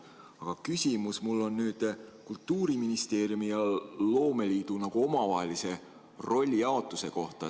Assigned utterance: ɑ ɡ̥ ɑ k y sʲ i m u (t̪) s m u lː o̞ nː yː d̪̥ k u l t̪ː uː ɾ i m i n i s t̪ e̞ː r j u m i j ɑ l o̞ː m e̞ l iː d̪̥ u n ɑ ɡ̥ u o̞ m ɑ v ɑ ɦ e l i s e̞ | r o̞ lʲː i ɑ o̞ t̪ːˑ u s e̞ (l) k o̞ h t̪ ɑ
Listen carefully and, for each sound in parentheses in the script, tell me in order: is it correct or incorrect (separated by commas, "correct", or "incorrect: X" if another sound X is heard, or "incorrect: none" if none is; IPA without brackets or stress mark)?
incorrect: none, incorrect: none